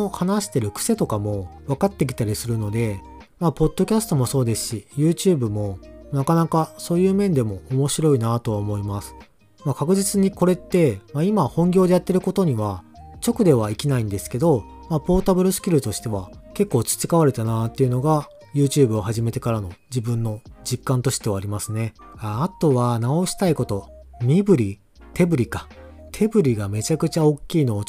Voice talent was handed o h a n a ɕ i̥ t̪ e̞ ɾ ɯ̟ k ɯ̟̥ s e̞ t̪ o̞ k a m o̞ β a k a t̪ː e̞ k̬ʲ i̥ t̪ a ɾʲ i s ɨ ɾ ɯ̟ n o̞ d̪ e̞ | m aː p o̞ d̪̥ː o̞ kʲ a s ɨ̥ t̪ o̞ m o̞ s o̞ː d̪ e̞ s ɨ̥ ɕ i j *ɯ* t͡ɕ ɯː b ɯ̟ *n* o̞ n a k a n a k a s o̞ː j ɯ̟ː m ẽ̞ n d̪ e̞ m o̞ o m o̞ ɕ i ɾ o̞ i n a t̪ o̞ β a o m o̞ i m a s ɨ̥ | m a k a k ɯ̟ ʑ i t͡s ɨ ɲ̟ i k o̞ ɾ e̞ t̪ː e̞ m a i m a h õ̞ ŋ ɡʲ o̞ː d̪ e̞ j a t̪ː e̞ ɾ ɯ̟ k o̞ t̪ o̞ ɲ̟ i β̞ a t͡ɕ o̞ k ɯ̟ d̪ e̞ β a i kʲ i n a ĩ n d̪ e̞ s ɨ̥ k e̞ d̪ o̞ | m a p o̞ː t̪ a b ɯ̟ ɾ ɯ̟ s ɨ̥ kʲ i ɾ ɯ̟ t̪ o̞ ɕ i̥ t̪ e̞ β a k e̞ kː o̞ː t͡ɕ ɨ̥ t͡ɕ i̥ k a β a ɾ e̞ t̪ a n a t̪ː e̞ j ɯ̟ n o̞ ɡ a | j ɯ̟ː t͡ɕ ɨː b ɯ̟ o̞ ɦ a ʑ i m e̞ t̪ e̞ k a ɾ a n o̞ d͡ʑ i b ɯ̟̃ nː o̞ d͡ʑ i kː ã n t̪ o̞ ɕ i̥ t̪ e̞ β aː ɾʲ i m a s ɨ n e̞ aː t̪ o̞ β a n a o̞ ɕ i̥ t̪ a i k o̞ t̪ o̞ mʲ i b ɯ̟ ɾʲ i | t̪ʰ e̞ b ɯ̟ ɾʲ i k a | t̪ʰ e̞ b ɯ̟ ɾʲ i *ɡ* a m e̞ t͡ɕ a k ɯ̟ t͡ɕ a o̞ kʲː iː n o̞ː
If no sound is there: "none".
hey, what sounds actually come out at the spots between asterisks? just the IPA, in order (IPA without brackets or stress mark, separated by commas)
ɯː, m, ɡ